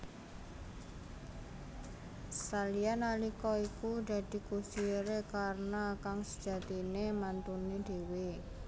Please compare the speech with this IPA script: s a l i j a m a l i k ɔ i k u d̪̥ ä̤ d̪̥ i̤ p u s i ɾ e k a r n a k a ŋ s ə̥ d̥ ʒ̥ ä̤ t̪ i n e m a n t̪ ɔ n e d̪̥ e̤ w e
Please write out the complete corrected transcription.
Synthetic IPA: s a l i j a n a l i k ɔ i k u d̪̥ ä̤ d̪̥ i̤ k u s i ɾ e k a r n a k a ŋ s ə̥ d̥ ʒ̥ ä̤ t̪ i n e m a n t̪ u n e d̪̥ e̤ w e